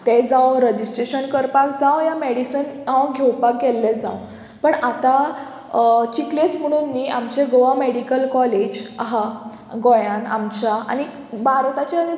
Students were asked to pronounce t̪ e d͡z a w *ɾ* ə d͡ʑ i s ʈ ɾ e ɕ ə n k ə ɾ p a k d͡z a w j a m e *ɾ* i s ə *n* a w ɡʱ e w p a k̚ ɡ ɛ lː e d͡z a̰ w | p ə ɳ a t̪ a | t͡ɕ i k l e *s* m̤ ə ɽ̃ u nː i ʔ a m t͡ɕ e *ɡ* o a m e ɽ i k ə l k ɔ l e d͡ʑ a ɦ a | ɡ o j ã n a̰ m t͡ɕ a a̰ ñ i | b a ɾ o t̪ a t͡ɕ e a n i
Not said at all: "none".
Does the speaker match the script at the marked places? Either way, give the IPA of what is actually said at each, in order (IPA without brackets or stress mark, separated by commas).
ɾ, ɽ, n, t͡s, ɡ